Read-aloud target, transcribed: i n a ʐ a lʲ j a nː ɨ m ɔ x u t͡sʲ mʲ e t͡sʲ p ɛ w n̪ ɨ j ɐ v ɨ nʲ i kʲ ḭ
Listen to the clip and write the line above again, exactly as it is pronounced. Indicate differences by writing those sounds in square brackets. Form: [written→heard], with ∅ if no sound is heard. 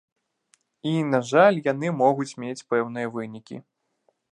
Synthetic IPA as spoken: i n a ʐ a lʲ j a [nː→n] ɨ m ɔ [x→ɣ] u t͡sʲ mʲ e t͡sʲ p ɛ w n̪ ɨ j ɐ v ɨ nʲ i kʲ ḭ